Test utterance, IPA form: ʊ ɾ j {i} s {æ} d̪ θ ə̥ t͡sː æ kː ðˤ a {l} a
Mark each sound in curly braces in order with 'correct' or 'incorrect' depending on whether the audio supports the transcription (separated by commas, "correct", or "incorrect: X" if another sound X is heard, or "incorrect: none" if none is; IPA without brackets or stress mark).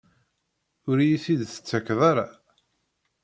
correct, incorrect: i, incorrect: ɾ